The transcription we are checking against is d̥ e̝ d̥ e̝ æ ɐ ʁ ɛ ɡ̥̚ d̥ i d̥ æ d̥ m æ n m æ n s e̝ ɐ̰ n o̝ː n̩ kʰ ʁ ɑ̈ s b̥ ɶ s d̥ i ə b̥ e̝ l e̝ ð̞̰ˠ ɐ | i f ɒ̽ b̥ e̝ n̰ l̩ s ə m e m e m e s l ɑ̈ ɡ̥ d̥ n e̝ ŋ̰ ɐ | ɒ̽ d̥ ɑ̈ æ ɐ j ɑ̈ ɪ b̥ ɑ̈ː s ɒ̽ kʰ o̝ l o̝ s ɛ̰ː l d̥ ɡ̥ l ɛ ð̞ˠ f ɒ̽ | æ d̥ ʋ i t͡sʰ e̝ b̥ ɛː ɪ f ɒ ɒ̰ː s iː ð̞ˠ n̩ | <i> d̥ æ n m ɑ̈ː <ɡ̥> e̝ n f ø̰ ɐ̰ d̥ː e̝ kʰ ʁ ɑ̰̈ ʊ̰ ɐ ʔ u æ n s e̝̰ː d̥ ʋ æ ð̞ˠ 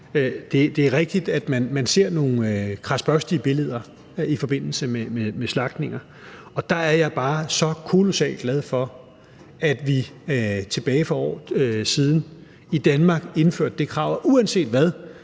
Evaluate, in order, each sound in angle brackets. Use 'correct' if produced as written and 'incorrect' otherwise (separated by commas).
correct, correct